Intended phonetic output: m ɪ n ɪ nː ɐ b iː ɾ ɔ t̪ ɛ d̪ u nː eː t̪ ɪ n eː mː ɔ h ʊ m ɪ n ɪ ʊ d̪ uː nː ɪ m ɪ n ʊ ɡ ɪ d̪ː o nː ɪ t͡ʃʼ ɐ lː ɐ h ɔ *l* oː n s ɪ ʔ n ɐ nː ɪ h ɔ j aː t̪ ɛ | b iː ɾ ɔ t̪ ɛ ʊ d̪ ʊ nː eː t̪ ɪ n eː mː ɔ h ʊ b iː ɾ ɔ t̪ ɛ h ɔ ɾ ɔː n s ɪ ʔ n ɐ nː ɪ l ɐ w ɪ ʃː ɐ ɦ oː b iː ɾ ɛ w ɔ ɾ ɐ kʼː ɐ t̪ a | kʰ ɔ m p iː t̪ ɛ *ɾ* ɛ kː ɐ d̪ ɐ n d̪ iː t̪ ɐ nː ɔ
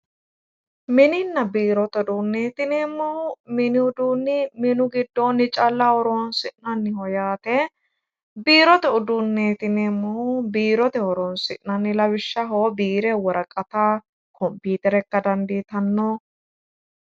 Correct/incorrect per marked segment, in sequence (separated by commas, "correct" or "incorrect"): incorrect, correct